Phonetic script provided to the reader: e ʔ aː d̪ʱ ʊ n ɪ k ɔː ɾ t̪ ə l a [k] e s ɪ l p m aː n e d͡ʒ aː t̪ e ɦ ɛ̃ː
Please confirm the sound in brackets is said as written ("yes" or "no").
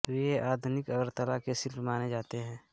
yes